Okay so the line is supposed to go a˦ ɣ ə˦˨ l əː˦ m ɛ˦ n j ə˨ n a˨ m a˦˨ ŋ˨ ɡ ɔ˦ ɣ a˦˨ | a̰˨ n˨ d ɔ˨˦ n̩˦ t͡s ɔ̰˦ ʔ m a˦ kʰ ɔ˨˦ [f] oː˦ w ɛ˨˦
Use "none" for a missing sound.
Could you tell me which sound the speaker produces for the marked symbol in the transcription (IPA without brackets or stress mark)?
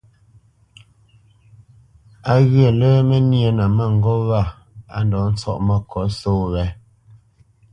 s